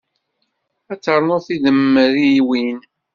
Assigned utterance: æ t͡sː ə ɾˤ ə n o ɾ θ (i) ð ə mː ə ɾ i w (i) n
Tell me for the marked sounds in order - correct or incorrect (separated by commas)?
correct, correct